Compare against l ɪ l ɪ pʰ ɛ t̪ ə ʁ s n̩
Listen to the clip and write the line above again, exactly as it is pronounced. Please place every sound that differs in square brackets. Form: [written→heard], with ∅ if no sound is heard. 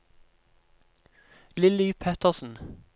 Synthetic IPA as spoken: l ɪ l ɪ pʰ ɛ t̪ ə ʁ s n̩